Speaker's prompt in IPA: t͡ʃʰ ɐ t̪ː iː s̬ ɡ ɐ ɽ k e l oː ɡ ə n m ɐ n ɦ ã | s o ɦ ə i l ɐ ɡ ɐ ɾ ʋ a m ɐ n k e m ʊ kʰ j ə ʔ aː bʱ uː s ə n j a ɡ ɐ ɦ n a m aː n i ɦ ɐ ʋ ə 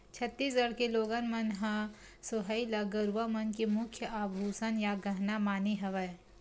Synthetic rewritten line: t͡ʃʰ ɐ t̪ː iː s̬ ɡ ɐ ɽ k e l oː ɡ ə n m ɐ n ɦ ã | s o ɦ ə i l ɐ ɡ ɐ ɾ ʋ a m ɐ n k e m ʊ kʰ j ə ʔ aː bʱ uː s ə n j a ɡ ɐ ɦ n a m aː n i ɦ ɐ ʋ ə